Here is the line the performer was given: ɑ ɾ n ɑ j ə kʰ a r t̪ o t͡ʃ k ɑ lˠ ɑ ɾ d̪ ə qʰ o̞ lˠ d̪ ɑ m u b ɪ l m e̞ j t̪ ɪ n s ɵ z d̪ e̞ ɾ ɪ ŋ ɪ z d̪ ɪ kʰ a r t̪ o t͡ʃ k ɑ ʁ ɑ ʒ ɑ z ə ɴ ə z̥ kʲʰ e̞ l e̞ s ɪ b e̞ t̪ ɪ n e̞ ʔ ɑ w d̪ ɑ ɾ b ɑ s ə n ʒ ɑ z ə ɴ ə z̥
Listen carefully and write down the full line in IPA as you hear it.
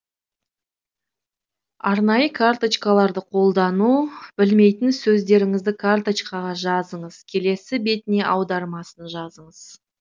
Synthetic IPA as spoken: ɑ ɾ n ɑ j ə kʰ a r t̪ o t͡ʃ k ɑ lˠ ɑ ɾ d̪ ə qʰ o̞ lˠ d̪ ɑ n u b ɪ l m e̞ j t̪ ɪ n s ɵ z d̪ e̞ ɾ ɪ ŋ ɪ z d̪ ɪ kʰ a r t̪ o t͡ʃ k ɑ ʁ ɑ ʒ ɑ z ə ɴ ə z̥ kʲʰ e̞ l e̞ s ɪ b e̞ t̪ ɪ n e̞ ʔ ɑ w d̪ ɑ ɾ m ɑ s ə n ʒ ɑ z ə ɴ ə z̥